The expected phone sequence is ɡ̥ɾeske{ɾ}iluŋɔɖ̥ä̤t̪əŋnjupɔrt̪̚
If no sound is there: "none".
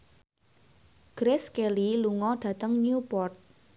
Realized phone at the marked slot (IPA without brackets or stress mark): l